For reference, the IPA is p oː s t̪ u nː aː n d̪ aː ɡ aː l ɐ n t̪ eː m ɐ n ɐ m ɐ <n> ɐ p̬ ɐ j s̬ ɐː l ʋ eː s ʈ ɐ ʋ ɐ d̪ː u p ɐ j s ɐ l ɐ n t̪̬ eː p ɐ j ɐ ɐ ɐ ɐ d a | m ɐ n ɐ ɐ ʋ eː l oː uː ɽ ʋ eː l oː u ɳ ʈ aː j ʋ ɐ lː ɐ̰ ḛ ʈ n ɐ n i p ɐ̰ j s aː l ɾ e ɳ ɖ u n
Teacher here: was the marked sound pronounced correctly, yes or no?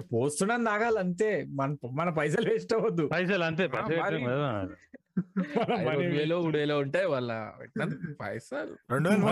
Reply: yes